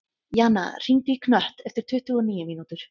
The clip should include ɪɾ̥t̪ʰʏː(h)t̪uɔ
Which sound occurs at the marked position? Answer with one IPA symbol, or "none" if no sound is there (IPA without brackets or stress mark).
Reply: h